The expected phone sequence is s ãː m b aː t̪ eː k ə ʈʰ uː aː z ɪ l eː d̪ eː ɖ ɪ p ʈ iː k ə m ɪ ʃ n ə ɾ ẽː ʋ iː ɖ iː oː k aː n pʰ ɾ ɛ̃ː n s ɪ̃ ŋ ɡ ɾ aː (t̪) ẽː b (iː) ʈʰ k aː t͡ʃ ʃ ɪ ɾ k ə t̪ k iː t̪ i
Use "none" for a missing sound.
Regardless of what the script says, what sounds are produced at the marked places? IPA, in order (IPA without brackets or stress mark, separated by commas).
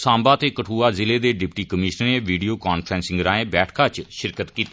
none, ɛː